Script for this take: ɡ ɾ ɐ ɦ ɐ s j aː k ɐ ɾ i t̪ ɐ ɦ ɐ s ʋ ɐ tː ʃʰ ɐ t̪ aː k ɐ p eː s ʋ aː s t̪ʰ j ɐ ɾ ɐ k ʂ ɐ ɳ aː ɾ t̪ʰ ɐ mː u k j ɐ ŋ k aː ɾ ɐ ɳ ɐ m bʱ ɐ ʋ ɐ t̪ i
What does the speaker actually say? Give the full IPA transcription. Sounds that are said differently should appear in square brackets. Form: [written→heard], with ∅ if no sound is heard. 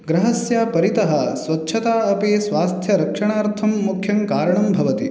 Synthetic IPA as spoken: ɡ ɾ ɐ ɦ ɐ s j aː [k→p] ɐ ɾ i t̪ ɐ ɦ ɐ s ʋ ɐ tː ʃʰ ɐ t̪ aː [k→∅] ɐ p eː s ʋ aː s t̪ʰ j ɐ ɾ ɐ k ʂ ɐ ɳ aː ɾ t̪ʰ ɐ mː u [k→kʰ] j ɐ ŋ k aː ɾ ɐ ɳ ɐ m bʱ ɐ ʋ ɐ t̪ i